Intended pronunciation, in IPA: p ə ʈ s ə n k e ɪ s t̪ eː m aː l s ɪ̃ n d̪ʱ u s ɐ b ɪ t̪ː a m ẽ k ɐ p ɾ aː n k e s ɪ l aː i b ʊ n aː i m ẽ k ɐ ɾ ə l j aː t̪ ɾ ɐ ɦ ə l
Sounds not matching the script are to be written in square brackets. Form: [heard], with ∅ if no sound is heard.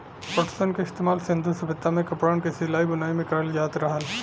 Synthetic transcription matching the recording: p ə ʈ s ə n k e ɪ s t̪ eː m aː l s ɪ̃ n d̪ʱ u s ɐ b ɪ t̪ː a m ẽ k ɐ p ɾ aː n k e s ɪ l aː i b ʊ n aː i m ẽ k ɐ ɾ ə l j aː t̪ ɾ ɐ ɦ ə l